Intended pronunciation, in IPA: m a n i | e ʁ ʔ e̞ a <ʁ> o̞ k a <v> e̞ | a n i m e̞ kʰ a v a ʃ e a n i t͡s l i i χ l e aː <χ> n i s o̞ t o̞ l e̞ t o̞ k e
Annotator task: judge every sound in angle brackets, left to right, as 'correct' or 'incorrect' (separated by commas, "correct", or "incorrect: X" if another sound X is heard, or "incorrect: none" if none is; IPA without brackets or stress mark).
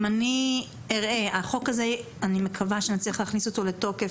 incorrect: χ, incorrect: z, correct